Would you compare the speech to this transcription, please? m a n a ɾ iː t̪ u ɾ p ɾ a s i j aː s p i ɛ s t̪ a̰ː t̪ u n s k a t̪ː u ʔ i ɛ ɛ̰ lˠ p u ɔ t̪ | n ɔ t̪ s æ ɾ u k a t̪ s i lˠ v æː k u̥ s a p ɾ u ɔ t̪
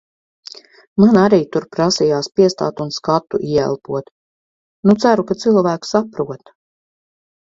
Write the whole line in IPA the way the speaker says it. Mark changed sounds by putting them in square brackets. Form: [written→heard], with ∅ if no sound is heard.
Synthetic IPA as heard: m a n a ɾ iː t̪ u ɾ p ɾ a s i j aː s p i ɛ s t̪ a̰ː t̪ u n s k a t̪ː u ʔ i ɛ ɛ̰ lˠ p u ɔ t̪ | n [ɔ→u] t̪ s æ ɾ u k a t̪ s i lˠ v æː k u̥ s a p ɾ u ɔ t̪